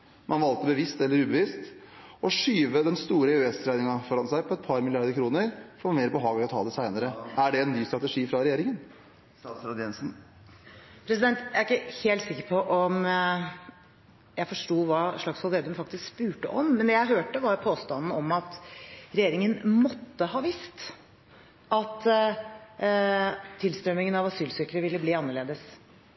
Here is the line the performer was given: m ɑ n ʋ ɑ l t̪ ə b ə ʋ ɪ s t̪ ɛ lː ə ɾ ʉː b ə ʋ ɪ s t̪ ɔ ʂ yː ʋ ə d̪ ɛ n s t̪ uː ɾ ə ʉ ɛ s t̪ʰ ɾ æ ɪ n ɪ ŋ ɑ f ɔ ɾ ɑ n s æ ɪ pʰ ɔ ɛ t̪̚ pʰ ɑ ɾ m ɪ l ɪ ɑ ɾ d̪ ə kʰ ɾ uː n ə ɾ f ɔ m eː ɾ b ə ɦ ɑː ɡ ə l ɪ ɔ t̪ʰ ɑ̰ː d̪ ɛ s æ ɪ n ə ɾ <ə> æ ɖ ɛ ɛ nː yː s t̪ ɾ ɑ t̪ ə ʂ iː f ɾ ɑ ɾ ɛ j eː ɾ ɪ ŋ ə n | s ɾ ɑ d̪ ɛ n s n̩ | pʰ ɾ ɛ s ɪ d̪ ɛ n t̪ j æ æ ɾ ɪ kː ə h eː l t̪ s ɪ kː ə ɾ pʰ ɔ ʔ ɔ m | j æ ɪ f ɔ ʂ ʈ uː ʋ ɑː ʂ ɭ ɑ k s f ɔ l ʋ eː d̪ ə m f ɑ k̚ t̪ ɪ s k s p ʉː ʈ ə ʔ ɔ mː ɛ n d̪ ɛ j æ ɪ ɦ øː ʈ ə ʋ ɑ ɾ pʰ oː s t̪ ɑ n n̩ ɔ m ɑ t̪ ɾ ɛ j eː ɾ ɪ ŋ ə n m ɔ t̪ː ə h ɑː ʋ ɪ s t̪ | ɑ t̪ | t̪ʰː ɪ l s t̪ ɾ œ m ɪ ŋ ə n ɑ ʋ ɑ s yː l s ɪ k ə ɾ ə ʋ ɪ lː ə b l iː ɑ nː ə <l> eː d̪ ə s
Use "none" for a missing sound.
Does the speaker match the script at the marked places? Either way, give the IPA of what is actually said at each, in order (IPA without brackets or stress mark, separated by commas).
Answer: ə, ɭ